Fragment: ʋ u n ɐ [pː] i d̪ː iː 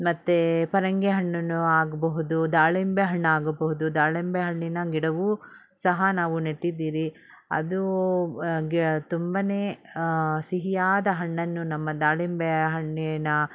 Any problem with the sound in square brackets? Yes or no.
yes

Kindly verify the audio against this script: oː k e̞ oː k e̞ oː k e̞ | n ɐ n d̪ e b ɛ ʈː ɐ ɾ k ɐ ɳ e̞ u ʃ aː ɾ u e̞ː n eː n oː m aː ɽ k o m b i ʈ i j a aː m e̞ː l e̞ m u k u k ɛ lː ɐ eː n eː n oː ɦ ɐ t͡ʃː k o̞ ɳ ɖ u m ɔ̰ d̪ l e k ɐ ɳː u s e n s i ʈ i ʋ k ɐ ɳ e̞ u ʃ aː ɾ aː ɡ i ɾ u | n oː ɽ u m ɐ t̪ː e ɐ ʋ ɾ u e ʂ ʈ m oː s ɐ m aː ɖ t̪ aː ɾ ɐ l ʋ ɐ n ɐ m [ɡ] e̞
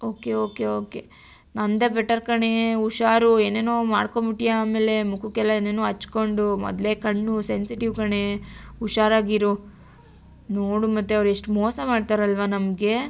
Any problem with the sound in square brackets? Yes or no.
no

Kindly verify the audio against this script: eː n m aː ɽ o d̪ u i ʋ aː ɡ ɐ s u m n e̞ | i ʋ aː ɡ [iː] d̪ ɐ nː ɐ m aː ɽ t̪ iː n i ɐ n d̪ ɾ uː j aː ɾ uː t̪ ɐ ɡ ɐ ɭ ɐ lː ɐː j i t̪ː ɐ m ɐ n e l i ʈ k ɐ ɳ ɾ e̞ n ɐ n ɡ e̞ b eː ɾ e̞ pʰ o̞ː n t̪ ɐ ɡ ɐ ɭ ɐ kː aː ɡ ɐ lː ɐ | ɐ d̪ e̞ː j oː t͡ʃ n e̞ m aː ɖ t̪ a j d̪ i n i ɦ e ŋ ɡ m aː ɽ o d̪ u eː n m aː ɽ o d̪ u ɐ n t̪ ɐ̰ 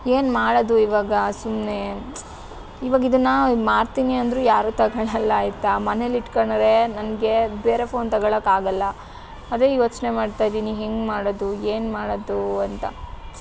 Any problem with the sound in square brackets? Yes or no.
yes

